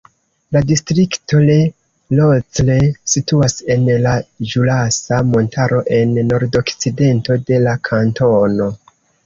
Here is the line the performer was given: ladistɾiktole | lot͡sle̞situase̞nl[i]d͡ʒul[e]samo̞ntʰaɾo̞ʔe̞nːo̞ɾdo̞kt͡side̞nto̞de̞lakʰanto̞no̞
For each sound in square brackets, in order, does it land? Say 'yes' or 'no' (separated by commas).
no, no